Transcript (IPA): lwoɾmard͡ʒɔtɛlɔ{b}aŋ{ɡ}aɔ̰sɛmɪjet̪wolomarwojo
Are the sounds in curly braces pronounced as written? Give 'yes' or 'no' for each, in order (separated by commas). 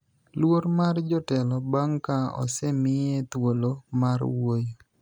yes, no